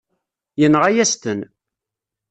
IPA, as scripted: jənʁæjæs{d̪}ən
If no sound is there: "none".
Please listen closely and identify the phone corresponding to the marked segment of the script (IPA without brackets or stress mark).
t̪